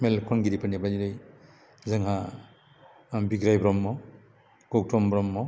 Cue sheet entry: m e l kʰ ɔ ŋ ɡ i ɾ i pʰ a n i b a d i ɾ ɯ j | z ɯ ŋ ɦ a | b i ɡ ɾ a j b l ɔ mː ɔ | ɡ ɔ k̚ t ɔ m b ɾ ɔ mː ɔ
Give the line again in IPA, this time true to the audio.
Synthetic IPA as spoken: m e l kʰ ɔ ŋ ɡ i ɾ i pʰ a n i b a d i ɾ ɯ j | z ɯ ŋ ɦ a | b i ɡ ɾ a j b ɾ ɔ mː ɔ | ɡ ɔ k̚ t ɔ m b ɾ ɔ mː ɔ